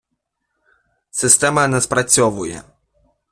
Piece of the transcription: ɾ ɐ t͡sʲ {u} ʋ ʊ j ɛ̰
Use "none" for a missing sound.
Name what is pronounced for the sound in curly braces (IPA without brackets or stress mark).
ɔ